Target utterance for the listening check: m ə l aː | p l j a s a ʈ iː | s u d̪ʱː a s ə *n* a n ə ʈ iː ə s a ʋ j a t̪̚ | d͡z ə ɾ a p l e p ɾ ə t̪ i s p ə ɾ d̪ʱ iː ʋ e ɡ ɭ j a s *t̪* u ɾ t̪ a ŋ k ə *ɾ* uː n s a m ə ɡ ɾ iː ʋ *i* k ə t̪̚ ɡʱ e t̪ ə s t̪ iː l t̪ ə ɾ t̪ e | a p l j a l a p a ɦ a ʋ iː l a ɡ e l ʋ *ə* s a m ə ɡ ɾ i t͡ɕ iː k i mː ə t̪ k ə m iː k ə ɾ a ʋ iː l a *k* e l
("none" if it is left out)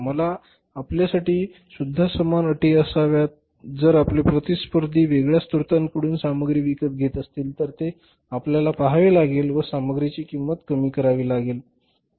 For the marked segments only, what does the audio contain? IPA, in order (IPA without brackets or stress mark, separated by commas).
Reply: m, t̪, ɽ, i, ə, ɡ